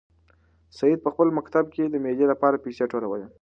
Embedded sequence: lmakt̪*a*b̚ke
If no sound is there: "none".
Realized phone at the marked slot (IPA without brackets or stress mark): a